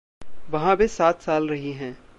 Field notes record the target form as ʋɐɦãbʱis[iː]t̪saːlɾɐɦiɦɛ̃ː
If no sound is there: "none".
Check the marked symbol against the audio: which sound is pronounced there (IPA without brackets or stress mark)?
aː